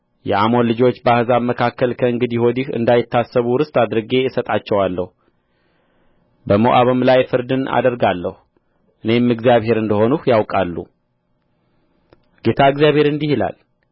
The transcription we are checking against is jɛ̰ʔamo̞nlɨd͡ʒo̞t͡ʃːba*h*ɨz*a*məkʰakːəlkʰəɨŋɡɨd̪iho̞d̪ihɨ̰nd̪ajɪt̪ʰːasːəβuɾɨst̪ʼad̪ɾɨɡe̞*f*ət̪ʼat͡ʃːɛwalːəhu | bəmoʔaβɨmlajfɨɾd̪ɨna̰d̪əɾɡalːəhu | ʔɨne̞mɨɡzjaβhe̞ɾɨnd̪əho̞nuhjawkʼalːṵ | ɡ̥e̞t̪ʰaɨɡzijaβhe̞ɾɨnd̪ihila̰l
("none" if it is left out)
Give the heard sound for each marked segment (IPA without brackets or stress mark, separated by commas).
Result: h, a, s